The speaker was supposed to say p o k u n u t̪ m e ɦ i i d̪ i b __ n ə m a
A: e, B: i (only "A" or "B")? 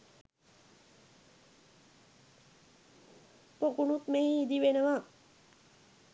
A